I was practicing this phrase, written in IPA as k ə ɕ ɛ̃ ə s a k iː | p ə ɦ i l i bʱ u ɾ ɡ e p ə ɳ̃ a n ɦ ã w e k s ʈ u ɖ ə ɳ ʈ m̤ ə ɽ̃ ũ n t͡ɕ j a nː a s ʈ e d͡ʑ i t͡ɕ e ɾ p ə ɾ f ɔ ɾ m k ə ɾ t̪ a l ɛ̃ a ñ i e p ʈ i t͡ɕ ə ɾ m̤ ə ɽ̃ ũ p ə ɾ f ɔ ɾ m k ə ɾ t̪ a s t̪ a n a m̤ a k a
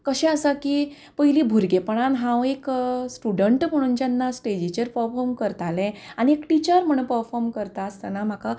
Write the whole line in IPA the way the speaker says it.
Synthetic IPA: k ə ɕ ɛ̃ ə s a k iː | p ə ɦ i l i bʱ u ɾ ɡ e p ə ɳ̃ a n ɦ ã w e k s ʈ u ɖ ə ɳ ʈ m̤ ə ɽ̃ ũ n t͡ɕ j a nː a s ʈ e d͡ʑ i t͡ɕ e ɾ p ə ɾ f ɔ ɾ m k ə ɾ t̪ a l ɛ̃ a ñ i e k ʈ i t͡ɕ ə ɾ m̤ ə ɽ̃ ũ p ə ɾ f ɔ ɾ m k ə ɾ t̪ a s t̪ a n a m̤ a k a